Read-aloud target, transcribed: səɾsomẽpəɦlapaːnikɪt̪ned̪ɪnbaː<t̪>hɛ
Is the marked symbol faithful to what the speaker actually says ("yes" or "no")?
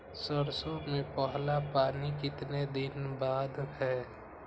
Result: no